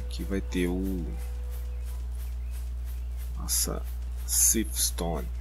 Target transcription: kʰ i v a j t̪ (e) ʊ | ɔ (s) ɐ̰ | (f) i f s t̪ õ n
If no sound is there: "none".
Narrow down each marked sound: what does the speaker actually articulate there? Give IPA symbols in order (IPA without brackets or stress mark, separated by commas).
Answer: e, s, s